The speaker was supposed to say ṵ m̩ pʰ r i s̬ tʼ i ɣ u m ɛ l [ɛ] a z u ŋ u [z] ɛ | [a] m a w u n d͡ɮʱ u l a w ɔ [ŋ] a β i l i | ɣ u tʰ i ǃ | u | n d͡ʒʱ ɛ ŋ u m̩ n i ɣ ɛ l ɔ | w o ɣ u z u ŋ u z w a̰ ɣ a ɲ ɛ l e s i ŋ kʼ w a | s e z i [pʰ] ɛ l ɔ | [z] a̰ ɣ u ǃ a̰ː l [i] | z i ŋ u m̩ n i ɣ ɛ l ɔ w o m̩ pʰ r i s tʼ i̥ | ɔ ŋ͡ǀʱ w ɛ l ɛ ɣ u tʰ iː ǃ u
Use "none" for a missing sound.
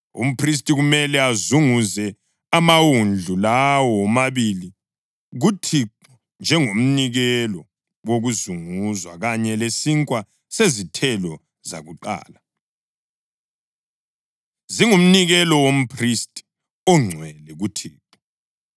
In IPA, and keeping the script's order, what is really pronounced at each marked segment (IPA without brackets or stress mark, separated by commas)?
ɛ, z, a, m, tʰ, z, a